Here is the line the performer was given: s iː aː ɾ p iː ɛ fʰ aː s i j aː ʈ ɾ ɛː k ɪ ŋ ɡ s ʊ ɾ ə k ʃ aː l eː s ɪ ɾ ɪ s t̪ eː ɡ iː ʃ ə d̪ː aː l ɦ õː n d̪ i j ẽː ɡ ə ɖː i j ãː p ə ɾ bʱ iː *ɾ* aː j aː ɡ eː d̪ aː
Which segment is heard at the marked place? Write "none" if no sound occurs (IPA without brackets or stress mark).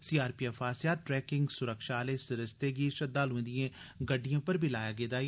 l